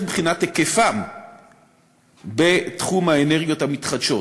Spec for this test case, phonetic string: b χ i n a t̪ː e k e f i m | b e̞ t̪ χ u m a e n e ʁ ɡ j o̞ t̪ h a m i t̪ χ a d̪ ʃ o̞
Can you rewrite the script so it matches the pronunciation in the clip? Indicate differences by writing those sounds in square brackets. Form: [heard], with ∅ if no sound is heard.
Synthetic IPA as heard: b χ i n a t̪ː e k e f [a] m | b e̞ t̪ χ u m a e n e ʁ ɡ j o̞ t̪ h a m i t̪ χ a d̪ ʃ o̞